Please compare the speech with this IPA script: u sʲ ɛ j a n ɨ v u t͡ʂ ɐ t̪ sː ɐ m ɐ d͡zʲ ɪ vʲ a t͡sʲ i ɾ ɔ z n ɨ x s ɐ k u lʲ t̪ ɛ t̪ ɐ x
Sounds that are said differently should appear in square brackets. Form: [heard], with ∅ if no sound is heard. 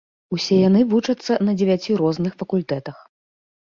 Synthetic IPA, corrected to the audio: u sʲ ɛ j a n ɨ v u t͡ʂ ɐ t̪ sː ɐ [n] ɐ d͡zʲ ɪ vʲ a t͡sʲ i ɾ ɔ z n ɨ x [f] ɐ k u lʲ t̪ ɛ t̪ ɐ x